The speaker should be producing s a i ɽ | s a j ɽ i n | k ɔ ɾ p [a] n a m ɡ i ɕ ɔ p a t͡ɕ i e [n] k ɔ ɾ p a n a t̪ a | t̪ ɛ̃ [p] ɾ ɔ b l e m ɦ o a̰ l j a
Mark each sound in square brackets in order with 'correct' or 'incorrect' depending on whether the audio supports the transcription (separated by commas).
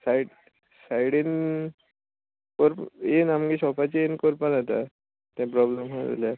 incorrect, correct, correct